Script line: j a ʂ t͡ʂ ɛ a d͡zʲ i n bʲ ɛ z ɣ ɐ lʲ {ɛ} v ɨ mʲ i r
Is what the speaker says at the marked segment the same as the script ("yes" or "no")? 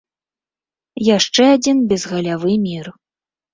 no